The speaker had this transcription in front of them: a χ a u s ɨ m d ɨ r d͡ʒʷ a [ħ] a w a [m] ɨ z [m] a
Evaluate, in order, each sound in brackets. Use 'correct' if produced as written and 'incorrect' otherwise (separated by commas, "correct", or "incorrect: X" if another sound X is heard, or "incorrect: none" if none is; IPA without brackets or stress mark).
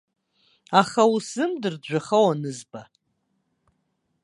incorrect: χ, incorrect: n, incorrect: b